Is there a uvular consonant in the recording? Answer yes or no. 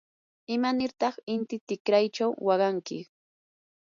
yes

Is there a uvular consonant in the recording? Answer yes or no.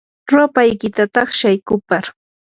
yes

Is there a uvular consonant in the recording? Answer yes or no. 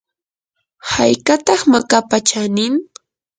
yes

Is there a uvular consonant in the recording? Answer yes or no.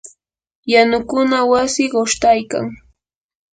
yes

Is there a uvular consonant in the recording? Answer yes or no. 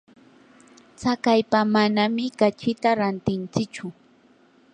no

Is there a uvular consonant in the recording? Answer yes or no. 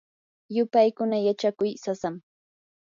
no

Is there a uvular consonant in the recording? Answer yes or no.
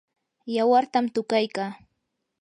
no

